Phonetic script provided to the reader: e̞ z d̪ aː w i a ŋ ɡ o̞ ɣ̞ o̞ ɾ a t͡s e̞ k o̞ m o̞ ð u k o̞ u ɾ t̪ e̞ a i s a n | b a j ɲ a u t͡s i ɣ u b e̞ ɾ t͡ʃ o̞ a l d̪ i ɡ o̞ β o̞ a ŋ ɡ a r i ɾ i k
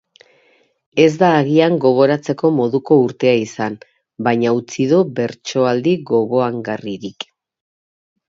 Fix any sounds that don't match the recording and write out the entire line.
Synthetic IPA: e̞ z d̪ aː ɣ i a ŋ ɡ o̞ ɣ̞ o̞ ɾ a t͡s e̞ k o̞ m o̞ ð u k o̞ u ɾ t̪ e̞ a i s a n | b a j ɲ a u t͡s i ð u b e̞ ɾ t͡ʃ o̞ a l d̪ i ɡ o̞ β o̞ a ŋ ɡ a r i ɾ i k